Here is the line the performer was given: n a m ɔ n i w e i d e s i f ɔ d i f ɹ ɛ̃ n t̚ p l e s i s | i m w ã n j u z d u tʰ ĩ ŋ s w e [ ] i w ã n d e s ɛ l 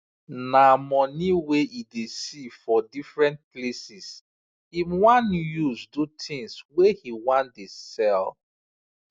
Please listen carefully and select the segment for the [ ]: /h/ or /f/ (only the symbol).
h